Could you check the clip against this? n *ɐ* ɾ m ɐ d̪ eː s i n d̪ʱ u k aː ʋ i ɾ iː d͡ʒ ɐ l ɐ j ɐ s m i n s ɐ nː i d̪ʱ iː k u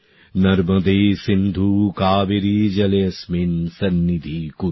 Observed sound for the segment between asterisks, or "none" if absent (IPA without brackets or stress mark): ɐ